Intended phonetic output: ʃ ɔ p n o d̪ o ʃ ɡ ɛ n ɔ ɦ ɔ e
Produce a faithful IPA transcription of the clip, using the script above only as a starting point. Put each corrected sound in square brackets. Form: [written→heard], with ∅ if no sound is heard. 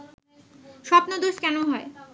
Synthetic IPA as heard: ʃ ɔ p n o d̪ o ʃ [ɡ→k] ɛ n [ɔ→o] ɦ ɔ e